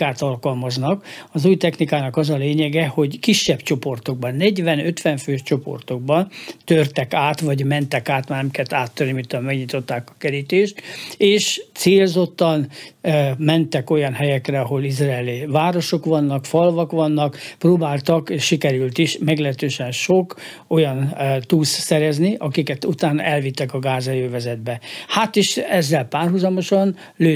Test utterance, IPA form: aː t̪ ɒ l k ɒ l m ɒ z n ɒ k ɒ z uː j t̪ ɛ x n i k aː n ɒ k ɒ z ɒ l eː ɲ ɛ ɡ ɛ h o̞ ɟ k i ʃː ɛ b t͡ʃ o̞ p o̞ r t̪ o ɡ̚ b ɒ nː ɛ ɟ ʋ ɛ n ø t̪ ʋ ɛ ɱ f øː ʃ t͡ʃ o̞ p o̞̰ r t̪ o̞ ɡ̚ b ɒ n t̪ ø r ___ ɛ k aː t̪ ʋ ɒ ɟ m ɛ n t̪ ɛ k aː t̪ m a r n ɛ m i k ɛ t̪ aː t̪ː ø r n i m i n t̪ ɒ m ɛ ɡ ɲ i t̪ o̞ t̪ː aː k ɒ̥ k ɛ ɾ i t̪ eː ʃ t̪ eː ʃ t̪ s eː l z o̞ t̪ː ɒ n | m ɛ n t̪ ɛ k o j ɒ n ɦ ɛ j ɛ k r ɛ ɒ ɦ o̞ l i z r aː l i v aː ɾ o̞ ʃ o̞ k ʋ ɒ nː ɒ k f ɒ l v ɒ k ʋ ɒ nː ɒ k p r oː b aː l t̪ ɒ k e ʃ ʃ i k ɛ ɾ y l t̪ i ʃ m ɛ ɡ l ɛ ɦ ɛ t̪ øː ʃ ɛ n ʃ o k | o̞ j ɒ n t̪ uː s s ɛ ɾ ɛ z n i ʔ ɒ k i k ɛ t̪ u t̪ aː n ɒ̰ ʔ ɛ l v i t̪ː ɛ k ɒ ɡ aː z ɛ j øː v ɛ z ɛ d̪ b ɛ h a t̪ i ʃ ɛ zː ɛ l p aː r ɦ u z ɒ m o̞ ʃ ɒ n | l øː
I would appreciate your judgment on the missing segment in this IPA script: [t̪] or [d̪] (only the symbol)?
t̪